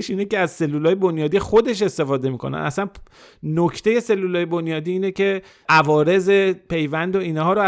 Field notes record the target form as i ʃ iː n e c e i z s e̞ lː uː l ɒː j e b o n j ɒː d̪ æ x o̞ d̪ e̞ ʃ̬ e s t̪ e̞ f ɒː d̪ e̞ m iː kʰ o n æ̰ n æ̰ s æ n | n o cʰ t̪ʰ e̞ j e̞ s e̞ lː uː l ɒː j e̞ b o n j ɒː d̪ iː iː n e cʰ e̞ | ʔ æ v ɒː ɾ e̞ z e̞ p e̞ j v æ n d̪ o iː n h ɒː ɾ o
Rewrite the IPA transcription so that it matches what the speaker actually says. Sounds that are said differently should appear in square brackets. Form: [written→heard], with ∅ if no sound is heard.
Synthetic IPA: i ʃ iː n e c e [i→æ] z s e̞ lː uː l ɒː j e b o n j ɒː d̪ [æ→i] x o̞ d̪ e̞ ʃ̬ e s t̪ e̞ f ɒː d̪ e̞ m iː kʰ o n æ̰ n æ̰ s æ n | n o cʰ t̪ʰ e̞ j e̞ s e̞ lː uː l ɒː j e̞ b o n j ɒː d̪ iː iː n e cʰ e̞ | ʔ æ v ɒː ɾ e̞ z e̞ p e̞ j v æ n d̪ o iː n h ɒː ɾ o